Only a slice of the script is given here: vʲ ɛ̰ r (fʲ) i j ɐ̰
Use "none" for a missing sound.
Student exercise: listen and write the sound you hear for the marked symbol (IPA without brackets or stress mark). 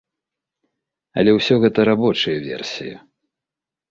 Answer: sʲ